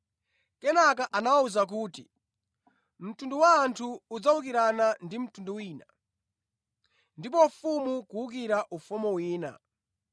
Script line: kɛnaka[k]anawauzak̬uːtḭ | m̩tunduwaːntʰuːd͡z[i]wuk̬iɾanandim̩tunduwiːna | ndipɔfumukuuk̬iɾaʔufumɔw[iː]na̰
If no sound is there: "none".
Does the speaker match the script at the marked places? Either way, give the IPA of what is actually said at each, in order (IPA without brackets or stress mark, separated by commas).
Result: ʔ, a, iː